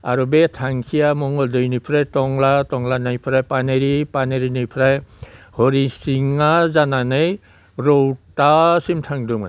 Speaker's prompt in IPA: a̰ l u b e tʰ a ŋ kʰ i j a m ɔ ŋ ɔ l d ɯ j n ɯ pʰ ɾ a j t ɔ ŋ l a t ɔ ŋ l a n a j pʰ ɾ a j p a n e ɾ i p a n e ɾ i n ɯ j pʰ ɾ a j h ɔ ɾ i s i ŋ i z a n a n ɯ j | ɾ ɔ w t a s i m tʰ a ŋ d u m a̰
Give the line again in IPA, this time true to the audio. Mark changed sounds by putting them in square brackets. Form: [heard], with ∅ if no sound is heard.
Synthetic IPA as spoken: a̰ [ɾ] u b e tʰ a ŋ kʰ i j a m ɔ ŋ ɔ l d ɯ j n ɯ pʰ ɾ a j t ɔ ŋ l a t ɔ ŋ l a n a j pʰ ɾ a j p a n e ɾ i p a n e ɾ i n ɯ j pʰ ɾ a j h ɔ ɾ i s i ŋ [a] z a n a n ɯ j | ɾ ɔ w t a s i m tʰ a ŋ d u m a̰